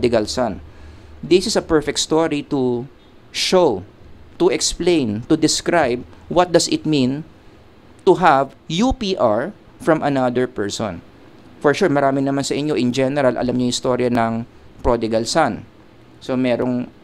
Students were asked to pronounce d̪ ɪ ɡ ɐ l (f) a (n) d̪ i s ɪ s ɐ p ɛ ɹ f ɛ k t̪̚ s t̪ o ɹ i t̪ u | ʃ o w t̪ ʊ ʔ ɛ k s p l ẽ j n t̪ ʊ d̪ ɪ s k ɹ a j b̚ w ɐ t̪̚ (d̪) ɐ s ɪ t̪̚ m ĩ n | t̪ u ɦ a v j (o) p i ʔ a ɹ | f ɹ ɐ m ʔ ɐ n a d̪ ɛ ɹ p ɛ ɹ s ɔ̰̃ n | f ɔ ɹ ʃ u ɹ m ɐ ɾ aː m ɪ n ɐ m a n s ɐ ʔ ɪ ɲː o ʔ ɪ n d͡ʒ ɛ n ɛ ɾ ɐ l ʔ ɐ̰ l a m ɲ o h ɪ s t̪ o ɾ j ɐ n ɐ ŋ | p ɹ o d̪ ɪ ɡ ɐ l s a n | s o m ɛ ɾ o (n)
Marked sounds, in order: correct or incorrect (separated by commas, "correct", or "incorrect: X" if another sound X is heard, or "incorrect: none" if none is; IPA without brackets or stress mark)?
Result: incorrect: s, correct, correct, incorrect: u, incorrect: ŋ